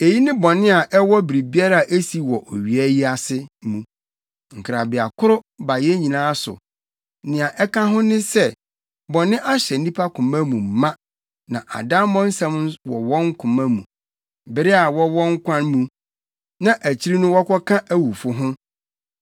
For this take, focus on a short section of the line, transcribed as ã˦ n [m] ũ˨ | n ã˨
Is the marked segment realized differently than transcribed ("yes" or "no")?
no